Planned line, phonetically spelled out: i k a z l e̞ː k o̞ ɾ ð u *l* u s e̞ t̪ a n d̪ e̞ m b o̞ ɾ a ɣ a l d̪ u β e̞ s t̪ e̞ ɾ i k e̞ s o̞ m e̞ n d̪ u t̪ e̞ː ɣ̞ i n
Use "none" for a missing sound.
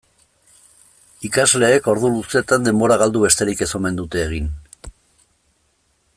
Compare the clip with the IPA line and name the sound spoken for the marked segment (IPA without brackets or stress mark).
l